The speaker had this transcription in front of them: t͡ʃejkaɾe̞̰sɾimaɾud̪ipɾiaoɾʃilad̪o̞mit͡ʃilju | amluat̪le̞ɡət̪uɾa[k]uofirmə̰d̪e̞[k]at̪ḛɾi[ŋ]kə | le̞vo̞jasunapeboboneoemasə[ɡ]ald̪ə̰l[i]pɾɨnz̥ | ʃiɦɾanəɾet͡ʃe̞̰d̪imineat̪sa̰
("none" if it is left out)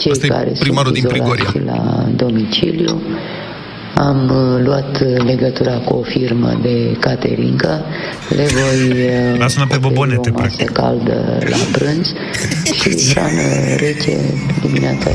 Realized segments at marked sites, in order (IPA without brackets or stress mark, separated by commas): k, k, ŋ, k, a